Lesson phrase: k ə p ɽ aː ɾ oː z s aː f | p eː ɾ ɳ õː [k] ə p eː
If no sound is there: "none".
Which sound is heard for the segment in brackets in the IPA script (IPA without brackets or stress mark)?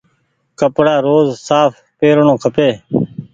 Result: kʰ